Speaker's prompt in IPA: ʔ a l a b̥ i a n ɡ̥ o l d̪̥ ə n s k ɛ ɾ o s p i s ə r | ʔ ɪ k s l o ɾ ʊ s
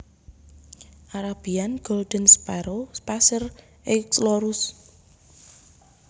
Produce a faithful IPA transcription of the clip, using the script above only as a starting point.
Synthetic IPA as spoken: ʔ a ɾ a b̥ i a n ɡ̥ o l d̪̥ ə n s p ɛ ɾ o s p a s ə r | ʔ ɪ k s l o ɾ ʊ s